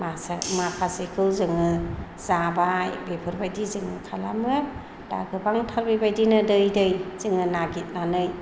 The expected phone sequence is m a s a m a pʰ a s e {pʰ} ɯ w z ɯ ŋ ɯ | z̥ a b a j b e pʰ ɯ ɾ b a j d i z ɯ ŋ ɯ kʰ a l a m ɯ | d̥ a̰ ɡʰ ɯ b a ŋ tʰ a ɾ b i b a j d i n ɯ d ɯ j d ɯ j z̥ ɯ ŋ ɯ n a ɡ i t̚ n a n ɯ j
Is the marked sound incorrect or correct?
incorrect